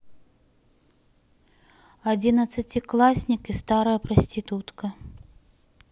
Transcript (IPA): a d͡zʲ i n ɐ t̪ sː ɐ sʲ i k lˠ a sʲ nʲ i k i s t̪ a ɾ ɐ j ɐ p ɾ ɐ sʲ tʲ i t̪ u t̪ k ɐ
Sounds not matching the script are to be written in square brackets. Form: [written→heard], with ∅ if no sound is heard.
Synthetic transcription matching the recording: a d͡zʲ i n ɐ t̪ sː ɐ [sʲ→t͡sʲ] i k lˠ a sʲ nʲ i k i s t̪ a ɾ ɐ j ɐ p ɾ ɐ sʲ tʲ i t̪ u t̪ k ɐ